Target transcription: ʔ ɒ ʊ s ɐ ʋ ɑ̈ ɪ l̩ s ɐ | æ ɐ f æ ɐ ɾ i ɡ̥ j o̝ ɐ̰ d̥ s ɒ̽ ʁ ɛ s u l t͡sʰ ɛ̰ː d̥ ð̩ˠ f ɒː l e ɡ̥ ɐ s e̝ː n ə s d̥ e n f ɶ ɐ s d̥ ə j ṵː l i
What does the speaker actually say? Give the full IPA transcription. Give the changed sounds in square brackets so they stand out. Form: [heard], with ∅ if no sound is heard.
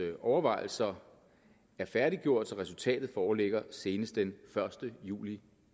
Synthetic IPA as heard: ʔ ɒ ʊ [∅] ɐ ʋ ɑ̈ ɪ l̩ s ɐ | æ ɐ f æ ɐ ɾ i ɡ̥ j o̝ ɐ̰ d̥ s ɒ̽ ʁ ɛ s u l t͡sʰ ɛ̰ː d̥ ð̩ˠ f ɒː l e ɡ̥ ɐ s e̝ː n ə s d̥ e n f ɶ ɐ s d̥ ə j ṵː l i